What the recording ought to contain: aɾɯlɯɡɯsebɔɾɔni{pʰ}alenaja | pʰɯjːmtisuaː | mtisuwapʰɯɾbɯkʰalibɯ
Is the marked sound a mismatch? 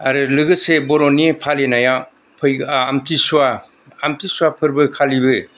no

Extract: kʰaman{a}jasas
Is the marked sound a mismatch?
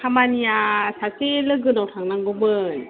yes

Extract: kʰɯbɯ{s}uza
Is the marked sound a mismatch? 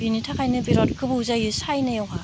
yes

